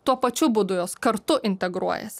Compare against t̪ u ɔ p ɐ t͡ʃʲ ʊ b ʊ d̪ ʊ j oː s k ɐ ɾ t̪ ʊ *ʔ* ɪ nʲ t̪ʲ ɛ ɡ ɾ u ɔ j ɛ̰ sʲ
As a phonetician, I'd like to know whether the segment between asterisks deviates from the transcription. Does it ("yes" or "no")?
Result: no